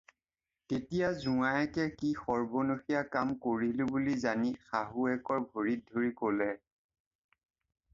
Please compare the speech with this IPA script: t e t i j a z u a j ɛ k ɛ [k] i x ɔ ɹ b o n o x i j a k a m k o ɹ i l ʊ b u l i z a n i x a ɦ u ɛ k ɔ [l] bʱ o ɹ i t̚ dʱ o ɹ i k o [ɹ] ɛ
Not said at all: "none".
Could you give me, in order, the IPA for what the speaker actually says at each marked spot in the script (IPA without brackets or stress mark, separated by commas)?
k, ɹ, l